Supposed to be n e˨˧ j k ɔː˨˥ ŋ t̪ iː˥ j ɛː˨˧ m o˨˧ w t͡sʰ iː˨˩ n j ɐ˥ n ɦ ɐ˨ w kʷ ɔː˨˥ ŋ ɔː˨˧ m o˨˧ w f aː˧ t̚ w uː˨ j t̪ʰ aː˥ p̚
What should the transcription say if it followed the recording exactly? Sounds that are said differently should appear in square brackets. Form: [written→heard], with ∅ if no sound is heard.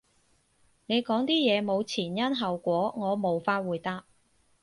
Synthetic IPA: n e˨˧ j k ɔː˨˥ ŋ t̪ iː˥ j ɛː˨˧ m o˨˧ w t͡sʰ iː˨˩ n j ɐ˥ n ɦ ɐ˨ w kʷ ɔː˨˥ ŋ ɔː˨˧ m o˨˧ w f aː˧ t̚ w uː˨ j [t̪ʰ→t̪] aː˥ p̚